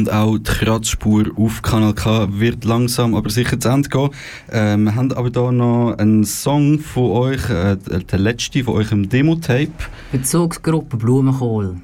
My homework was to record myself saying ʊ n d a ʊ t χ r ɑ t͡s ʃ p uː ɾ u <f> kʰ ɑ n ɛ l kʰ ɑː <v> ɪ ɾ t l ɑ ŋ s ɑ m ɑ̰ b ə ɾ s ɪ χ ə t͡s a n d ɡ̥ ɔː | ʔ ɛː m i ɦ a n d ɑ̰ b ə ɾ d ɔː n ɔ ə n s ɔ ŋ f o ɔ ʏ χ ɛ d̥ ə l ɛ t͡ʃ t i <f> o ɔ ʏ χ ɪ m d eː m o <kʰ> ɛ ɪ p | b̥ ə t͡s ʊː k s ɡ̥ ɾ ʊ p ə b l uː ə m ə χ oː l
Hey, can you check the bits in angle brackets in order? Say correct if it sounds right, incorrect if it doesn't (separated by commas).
correct, correct, correct, incorrect